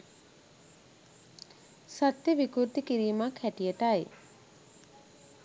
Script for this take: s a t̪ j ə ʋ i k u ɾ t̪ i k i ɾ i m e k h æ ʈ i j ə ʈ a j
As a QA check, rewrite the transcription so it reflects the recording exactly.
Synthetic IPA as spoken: s a t̪ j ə ʋ i k u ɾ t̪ i k i ɾ iː m a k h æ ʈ i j ə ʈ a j

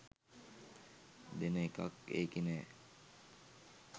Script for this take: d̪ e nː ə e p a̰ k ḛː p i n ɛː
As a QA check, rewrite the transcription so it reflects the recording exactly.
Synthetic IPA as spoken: d̪ e n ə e k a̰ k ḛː k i n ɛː

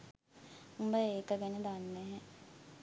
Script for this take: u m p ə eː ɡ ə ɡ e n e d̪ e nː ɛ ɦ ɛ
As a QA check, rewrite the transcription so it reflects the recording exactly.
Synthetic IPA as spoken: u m b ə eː k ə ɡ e n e d̪ a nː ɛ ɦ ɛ

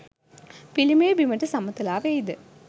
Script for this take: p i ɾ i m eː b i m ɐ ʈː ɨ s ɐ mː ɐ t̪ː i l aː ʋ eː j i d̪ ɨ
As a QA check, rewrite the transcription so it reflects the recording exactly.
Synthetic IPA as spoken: p i l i m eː b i m ɐ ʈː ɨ s ɐ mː ɐ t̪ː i l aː ʋ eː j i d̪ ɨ

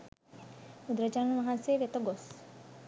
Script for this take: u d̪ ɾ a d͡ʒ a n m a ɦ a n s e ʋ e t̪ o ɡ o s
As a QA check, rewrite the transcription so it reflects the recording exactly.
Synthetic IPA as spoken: u d̪ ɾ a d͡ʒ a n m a ɦ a n s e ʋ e t̪ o ɡ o s

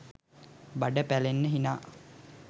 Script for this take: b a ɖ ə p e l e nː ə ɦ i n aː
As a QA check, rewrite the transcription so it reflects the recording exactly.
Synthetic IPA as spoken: b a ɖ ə p æ l e nː ə ɦ i n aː

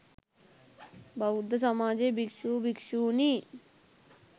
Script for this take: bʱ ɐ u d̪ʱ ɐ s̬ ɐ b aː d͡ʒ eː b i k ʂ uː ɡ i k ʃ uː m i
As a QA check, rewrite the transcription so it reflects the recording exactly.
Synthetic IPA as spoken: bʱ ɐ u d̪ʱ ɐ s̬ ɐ m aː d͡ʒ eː b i k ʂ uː b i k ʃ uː n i

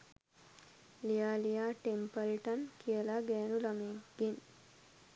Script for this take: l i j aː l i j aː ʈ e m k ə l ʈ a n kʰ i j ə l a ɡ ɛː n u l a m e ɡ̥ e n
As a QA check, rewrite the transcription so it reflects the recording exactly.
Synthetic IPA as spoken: l i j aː l i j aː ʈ e m p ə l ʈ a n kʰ i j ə l a ɡ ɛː n u l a m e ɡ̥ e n

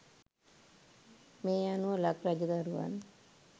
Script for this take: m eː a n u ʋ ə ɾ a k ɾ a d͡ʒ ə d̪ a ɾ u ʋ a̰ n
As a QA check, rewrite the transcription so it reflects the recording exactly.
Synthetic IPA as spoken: m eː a n u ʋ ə l a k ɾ a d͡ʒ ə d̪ a ɾ u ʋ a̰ n

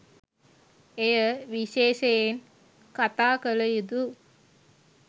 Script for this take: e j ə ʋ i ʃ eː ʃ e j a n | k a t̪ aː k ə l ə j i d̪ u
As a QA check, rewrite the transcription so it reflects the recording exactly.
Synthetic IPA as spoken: e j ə ʋ i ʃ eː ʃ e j e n | k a t̪ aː k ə l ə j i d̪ u

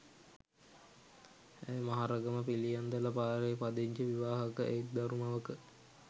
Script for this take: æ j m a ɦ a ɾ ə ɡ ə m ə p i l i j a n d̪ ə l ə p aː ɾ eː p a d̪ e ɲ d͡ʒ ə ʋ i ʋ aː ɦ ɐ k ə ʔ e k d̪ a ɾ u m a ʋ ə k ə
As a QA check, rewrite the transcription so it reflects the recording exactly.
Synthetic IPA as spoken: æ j m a ɦ a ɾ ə ɡ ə m ə p i l i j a n d̪ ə l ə p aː ɾ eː p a d̪ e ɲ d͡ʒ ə ʋ i ʋ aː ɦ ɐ k ə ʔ e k d̪ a ɾ u m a ʋ ə k ə

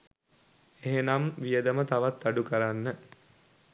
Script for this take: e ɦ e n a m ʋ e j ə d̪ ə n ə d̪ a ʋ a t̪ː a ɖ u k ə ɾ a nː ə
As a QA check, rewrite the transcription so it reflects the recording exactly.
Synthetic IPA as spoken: e ɦ e n a m ʋ i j ə d̪ ə m ə t̪ a ʋ a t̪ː a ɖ u k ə ɾ a nː ə

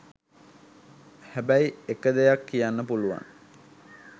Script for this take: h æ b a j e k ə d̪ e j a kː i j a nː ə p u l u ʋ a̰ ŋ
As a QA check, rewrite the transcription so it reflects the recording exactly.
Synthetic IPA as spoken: h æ b æ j e k ə d̪ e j a kː i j a nː ə p u l u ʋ a̰ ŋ

